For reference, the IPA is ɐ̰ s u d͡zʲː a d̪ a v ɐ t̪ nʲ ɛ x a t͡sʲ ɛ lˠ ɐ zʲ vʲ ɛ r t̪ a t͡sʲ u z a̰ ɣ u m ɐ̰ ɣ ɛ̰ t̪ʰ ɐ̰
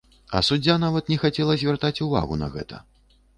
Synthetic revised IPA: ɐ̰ s u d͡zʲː a n̪ a v ɐ t̪ nʲ ɛ x a t͡sʲ ɛ lˠ ɐ zʲ vʲ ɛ r t̪ a t͡sʲ u v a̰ ɣ u n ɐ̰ ɣ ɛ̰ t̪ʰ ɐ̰